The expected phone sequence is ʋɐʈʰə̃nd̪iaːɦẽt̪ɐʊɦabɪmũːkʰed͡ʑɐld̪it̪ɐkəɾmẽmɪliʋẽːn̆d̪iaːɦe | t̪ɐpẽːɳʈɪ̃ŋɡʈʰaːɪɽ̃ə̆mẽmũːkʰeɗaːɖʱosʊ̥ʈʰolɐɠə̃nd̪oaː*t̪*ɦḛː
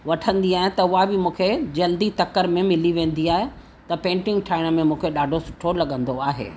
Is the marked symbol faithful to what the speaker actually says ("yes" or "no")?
no